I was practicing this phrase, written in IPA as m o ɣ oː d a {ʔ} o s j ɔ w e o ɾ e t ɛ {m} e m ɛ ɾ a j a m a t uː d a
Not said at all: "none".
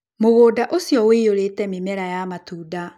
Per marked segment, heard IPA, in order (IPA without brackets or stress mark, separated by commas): ʔ, m